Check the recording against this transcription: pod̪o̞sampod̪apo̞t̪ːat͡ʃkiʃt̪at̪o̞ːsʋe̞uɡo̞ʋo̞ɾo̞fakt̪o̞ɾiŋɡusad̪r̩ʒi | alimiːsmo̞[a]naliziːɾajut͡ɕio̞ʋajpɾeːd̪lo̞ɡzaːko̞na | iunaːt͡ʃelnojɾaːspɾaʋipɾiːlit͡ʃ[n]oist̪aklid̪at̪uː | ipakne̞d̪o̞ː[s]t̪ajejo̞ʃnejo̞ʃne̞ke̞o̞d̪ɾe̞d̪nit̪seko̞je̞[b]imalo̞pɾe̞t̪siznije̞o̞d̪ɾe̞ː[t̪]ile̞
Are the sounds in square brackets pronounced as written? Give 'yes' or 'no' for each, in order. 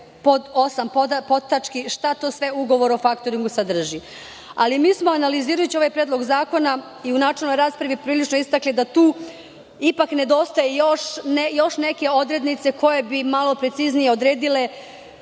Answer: yes, yes, yes, yes, no

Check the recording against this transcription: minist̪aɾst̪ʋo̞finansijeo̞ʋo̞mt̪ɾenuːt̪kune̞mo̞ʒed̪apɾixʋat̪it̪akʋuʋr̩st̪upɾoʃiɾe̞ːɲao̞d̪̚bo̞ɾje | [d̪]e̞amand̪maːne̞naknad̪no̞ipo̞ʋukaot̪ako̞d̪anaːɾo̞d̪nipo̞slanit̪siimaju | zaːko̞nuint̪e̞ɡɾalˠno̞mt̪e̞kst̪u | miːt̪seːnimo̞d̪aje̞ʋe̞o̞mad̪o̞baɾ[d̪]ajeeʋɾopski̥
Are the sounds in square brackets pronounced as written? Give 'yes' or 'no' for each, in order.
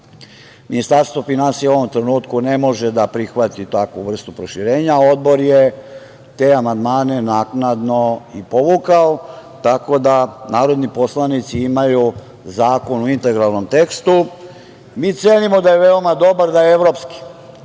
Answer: no, yes

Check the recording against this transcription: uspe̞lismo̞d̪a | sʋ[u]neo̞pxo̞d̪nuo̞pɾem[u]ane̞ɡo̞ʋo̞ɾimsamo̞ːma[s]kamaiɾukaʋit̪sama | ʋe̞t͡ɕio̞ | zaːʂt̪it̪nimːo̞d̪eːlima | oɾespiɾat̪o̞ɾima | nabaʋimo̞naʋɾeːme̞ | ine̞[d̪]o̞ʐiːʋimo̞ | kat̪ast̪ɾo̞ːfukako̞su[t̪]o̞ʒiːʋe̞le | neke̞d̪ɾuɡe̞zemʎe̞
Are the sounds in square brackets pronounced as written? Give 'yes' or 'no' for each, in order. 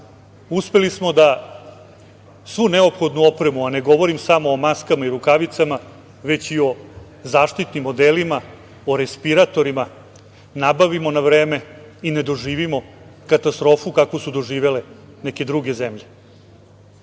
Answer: yes, yes, yes, yes, no

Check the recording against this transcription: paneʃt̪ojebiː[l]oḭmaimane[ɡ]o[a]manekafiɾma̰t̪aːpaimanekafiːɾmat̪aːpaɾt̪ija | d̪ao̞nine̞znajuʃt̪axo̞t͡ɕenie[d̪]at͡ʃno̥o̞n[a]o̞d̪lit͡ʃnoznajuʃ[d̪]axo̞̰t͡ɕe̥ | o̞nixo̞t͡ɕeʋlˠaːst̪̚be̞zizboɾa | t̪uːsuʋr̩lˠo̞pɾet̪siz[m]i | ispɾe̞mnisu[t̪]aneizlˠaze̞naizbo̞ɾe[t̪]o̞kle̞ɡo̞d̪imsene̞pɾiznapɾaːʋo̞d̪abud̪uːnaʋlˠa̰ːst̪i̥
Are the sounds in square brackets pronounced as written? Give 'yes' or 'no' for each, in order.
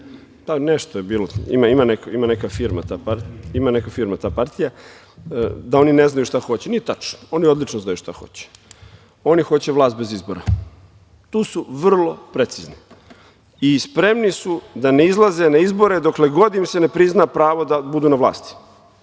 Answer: yes, no, no, no, no, no, no, no, no

